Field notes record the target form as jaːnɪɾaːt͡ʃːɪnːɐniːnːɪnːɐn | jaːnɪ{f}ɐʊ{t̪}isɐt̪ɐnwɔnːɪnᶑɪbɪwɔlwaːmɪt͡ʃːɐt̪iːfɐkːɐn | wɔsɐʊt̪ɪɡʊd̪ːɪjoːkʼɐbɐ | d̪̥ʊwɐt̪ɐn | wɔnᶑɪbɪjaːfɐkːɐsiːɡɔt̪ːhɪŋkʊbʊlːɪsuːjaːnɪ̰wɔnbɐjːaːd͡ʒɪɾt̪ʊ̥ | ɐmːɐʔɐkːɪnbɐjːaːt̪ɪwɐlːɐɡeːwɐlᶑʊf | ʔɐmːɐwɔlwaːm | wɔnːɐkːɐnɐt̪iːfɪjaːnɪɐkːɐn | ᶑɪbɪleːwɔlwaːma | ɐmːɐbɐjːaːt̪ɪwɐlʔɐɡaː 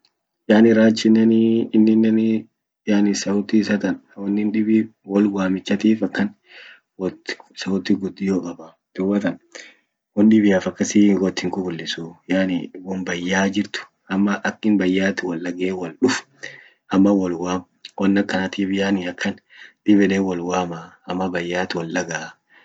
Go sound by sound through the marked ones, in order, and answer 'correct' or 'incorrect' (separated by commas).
incorrect, correct